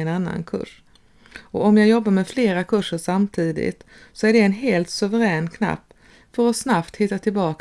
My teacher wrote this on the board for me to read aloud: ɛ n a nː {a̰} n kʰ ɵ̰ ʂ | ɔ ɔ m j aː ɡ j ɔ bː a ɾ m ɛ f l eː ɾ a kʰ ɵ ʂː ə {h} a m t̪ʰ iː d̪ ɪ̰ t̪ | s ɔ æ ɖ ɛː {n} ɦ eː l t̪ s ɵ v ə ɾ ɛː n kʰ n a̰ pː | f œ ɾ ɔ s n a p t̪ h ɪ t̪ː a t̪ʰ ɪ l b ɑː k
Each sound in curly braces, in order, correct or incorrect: correct, incorrect, correct

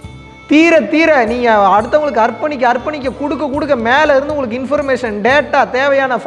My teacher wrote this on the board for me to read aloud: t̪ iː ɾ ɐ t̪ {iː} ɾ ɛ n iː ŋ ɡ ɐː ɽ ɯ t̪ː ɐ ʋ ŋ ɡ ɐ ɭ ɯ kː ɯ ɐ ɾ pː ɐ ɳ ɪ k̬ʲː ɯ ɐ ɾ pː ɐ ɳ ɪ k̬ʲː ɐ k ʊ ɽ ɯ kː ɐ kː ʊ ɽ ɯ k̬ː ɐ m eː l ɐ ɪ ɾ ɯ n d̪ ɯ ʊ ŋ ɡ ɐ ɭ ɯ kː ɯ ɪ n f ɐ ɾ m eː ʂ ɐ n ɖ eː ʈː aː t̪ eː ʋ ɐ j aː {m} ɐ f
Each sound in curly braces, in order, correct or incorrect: correct, incorrect

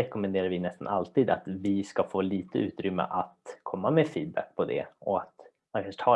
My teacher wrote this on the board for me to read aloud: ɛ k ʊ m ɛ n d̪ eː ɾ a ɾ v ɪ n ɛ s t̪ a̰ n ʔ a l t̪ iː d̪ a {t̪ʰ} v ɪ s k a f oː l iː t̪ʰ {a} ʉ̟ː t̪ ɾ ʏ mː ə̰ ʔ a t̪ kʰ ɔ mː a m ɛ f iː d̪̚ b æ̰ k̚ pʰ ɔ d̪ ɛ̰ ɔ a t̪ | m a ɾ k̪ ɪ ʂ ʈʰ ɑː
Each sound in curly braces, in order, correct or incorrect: incorrect, incorrect

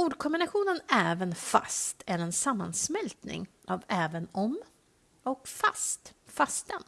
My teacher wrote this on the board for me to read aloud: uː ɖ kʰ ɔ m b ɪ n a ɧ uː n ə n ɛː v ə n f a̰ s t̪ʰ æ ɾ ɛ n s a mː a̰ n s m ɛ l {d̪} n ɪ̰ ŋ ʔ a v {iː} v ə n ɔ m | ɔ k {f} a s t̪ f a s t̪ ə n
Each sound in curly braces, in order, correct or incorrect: incorrect, incorrect, correct

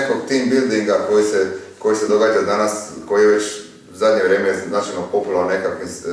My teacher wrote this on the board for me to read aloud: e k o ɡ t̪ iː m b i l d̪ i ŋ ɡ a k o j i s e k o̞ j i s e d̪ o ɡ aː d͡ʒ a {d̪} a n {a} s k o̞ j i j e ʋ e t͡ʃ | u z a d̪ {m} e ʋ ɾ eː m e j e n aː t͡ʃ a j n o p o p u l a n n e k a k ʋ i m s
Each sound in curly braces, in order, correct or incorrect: correct, correct, incorrect

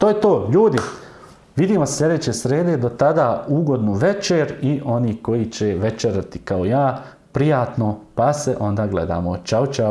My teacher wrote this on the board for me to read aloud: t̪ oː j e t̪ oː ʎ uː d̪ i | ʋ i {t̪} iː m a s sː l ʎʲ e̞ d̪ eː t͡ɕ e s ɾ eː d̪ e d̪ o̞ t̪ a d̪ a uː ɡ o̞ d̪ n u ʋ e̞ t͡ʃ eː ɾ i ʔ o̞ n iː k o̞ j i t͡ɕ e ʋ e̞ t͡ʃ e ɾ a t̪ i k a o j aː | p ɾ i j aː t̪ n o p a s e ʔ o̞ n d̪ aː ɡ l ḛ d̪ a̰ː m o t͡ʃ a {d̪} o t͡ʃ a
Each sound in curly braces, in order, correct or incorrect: incorrect, incorrect

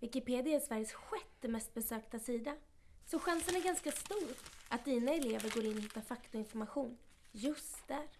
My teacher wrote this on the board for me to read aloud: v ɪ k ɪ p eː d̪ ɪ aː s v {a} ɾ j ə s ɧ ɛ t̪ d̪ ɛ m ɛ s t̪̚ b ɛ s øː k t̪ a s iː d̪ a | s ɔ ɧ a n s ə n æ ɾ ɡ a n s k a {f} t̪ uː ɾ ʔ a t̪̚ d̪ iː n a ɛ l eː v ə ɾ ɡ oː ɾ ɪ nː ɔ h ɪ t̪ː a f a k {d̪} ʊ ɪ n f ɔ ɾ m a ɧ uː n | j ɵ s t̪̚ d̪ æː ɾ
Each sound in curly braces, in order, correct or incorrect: incorrect, incorrect, incorrect

